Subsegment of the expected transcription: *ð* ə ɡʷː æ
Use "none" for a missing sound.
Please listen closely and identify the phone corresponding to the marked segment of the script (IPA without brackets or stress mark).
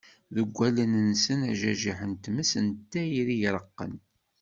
ð